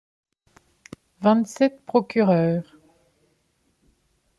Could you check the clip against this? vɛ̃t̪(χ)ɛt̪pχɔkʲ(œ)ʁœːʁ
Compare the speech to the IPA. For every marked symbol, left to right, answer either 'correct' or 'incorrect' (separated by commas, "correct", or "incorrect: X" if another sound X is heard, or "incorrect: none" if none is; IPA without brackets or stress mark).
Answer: incorrect: s, incorrect: y